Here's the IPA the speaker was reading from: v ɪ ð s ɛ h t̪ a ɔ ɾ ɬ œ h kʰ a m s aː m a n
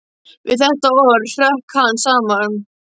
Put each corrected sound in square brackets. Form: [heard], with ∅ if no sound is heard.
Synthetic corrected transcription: v ɪ ð [θ] ɛ h t̪ a ɔ ɾ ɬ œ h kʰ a [n] s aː m a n